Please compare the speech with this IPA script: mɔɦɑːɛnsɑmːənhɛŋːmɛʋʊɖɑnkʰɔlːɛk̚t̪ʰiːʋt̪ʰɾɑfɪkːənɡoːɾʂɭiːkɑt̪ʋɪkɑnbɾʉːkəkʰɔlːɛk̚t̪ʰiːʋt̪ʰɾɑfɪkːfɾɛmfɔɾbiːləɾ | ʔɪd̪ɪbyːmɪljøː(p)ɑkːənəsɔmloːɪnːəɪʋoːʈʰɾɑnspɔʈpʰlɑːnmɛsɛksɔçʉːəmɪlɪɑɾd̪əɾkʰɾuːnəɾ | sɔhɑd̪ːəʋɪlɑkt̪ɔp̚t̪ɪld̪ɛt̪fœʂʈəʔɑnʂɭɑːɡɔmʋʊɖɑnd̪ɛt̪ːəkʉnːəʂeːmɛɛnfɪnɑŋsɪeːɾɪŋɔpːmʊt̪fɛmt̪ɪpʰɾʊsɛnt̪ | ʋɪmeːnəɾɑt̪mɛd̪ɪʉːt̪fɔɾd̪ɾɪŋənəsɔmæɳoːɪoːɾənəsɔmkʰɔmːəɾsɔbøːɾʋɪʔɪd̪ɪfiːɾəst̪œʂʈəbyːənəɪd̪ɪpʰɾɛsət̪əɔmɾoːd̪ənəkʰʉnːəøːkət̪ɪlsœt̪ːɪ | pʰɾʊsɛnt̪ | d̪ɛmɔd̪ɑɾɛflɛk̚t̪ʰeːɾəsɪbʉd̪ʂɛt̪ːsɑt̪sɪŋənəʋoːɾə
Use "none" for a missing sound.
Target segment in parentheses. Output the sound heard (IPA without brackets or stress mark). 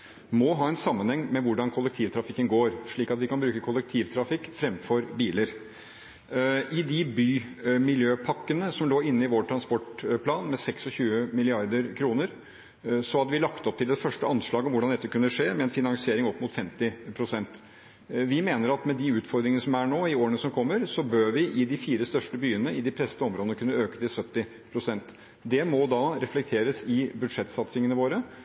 pʰ